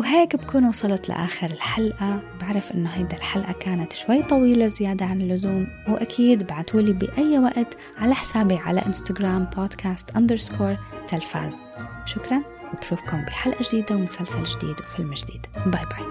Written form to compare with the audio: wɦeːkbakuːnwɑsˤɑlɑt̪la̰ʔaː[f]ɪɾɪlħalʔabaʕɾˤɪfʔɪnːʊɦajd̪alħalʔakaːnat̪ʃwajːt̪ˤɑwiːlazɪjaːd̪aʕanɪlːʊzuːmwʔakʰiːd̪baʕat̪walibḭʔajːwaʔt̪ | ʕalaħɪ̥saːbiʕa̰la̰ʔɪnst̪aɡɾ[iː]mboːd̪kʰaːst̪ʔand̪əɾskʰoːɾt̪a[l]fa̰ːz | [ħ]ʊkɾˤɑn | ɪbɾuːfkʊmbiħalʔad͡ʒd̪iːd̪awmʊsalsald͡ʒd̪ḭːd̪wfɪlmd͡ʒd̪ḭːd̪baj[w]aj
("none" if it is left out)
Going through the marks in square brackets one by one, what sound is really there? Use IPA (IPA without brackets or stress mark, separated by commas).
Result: x, aː, l, ʃ, b